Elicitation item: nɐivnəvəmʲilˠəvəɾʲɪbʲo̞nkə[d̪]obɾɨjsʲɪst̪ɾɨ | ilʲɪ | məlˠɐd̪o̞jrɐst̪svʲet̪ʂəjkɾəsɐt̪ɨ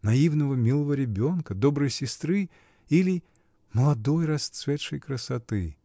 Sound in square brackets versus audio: correct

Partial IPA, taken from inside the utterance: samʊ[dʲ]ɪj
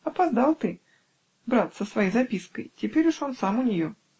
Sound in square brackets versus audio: incorrect: nʲ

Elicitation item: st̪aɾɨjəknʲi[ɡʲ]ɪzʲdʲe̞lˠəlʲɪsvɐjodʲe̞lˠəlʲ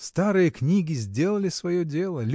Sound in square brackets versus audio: correct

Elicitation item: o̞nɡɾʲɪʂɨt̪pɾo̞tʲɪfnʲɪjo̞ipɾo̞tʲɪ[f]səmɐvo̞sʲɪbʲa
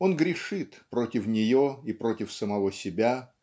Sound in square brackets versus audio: correct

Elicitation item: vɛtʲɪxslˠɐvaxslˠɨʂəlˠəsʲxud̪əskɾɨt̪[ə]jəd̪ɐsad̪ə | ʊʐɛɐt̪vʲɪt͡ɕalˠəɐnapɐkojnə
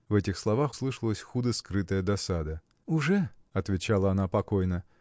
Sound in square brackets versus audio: correct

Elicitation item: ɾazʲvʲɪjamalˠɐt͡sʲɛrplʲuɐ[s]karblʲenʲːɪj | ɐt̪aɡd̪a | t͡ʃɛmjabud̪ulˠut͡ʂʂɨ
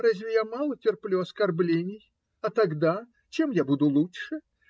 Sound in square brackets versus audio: correct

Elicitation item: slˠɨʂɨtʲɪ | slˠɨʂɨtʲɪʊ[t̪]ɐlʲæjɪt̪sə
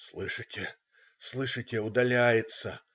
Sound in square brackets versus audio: incorrect: d̪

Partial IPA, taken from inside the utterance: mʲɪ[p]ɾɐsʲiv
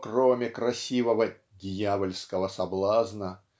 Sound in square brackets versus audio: incorrect: k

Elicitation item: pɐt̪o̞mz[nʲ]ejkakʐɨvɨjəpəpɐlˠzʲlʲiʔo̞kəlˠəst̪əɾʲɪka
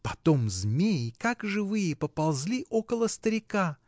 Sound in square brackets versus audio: incorrect: mʲ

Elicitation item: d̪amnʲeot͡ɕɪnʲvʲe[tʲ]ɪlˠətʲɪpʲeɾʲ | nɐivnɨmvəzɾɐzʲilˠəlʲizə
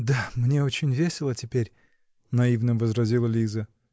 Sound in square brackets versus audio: incorrect: sʲ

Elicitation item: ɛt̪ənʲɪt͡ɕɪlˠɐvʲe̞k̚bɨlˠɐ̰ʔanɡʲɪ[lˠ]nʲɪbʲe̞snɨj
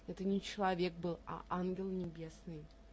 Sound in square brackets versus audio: correct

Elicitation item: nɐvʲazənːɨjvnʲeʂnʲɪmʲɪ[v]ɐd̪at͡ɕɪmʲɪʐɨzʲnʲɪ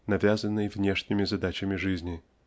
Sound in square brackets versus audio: incorrect: z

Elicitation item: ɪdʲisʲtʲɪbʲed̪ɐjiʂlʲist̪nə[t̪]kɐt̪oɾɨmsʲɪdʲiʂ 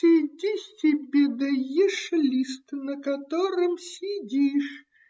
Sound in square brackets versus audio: incorrect: none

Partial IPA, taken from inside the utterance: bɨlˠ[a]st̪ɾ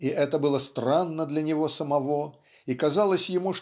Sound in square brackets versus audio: incorrect: ə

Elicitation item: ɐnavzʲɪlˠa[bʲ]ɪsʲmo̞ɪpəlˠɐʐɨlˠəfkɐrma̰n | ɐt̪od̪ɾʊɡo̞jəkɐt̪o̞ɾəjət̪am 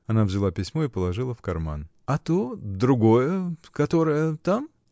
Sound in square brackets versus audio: incorrect: pʲ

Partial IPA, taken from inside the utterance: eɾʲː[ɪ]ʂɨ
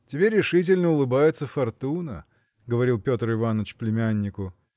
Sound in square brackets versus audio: correct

